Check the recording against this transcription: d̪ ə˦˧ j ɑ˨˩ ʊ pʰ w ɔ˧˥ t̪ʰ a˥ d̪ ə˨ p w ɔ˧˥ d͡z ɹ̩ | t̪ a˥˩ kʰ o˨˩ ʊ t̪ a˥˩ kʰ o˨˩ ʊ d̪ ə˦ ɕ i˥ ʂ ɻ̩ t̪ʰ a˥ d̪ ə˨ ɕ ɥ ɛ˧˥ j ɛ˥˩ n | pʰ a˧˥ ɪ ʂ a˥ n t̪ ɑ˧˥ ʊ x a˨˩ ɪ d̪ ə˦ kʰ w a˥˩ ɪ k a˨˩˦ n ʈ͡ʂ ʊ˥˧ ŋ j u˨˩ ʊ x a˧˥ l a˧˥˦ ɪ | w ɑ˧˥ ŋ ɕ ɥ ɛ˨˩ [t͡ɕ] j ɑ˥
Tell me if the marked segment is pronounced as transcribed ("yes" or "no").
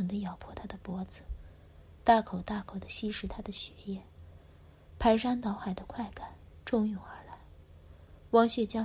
yes